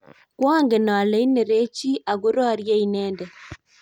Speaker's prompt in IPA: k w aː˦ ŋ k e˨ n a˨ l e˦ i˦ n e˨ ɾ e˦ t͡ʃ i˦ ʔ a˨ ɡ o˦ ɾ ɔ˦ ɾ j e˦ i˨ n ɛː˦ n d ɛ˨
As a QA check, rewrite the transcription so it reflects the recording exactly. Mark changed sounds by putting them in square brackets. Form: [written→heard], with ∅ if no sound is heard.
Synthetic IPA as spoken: k w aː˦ ŋ [k→ɡ] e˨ n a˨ l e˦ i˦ n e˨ ɾ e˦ t͡ʃ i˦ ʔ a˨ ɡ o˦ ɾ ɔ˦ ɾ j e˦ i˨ n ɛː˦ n d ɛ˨